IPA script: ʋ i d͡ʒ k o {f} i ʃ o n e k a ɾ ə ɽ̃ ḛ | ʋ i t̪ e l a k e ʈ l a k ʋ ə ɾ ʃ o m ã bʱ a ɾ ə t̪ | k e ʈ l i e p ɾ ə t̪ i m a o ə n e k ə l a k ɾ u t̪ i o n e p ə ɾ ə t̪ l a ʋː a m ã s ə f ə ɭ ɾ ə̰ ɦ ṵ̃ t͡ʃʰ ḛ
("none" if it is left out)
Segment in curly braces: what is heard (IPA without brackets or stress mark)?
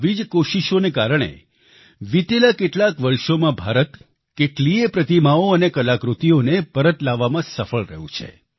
ʃ